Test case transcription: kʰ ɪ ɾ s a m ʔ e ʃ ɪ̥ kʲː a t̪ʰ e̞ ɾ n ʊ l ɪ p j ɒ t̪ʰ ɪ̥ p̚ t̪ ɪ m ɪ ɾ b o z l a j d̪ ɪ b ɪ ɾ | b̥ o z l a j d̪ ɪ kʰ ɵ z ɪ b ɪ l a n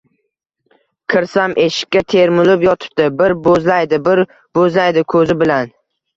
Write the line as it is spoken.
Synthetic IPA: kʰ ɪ ɾ s a m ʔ e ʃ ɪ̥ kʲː a t̪ʰ e̞ ɾ m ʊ l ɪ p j ɒ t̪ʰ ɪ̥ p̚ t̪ ɪ b ɪ ɾ b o z l a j d̪ ɪ b ɪ ɾ | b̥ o z l a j d̪ ɪ kʰ ɵ z ɪ b ɪ l a n

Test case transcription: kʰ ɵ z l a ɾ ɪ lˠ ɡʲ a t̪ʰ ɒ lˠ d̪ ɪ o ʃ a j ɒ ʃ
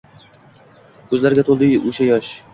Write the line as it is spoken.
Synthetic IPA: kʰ ɵ z l a ɾ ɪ ɡʲ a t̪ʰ o lˠ d̪ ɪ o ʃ a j ɒ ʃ

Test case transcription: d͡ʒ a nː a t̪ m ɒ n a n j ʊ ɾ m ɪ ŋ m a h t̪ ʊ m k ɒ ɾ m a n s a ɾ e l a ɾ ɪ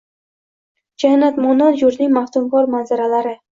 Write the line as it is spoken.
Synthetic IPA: d͡ʒ a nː a t̪ m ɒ n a n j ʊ ɾ n ɪ ŋ m a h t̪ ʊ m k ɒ ɾ m a n z a ɾ a l a ɾ ɪ

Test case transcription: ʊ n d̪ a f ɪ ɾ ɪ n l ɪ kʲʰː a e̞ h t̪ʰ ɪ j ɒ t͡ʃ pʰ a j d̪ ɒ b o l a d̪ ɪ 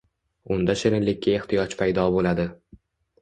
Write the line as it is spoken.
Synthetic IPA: ʊ n d̪ a ʃ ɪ ɾ ɪ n l ɪ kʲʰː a e̞ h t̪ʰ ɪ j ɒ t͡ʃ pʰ a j d̪ ɒ b o l a d̪ ɪ

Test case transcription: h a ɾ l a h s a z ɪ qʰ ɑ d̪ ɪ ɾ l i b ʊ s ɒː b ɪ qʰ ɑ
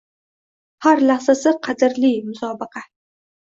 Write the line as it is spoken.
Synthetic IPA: h a ɾ l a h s a s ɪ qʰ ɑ d̪ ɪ ɾ l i m ʊ s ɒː b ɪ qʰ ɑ

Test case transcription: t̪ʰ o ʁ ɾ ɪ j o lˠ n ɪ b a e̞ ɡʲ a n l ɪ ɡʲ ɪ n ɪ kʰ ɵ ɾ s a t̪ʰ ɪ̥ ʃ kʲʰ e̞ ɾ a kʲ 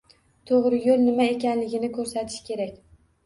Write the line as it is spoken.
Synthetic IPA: t̪ʰ o ʁ ɾ ɪ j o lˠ n ɪ m a e̞ kʲ a n l ɪ ɡʲ ɪ n ɪ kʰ ɵ ɾ s a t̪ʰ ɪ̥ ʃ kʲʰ e̞ ɾ a kʲ

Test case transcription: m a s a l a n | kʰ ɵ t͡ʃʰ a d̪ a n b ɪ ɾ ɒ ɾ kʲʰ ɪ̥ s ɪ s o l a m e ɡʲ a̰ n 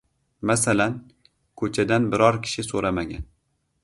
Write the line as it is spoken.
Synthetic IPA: m a s a l a n | kʰ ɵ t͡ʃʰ a d̪ a n b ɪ ɾ ɒ ɾ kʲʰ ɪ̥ ʃ ɪ s o ɾ a m a ɡʲ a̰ n

